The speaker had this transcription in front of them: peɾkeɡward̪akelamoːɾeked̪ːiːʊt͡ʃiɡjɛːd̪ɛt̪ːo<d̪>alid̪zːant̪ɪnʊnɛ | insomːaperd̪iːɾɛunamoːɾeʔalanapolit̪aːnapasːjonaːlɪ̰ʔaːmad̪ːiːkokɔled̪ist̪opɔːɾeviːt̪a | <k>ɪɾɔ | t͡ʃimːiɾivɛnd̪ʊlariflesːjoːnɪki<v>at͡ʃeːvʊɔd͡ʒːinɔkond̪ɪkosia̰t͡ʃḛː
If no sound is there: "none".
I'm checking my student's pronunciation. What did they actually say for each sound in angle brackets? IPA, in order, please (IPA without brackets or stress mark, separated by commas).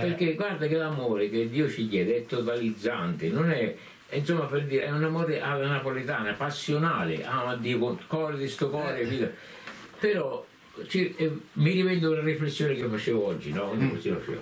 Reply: t̪, p, f